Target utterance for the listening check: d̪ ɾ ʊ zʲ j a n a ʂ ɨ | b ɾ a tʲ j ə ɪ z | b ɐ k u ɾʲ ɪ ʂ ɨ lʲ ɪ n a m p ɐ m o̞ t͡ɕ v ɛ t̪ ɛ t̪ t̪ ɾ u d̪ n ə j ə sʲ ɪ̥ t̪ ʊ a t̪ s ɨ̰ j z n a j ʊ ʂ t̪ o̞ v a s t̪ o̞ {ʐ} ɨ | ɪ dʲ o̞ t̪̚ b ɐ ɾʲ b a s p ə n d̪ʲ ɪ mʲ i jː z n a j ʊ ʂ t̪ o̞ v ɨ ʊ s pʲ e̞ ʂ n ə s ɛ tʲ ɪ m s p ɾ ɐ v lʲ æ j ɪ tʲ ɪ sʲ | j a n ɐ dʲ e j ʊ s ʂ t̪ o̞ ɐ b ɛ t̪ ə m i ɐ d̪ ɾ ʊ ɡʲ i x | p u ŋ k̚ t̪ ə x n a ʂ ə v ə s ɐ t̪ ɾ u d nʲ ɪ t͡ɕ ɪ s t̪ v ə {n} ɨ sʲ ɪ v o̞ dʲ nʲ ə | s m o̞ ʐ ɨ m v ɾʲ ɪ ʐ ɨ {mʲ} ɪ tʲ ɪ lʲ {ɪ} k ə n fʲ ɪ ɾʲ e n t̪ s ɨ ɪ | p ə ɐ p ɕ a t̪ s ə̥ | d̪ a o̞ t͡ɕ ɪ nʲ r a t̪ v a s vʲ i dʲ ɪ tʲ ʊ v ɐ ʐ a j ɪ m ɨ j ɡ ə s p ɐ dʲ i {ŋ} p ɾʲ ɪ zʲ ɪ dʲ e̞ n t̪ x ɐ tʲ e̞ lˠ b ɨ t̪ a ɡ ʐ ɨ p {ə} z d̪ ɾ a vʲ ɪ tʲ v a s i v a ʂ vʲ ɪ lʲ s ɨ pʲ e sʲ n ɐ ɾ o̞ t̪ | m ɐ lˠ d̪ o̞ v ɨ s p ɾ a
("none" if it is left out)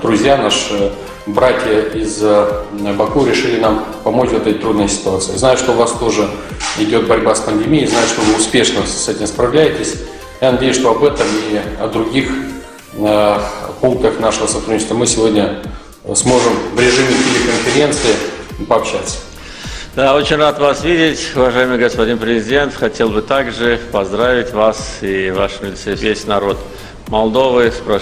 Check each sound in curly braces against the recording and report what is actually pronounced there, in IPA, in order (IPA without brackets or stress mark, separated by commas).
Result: ʐ, m, mʲ, ɪ, n, ɐ